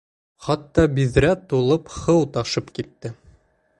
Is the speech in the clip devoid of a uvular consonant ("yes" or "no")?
no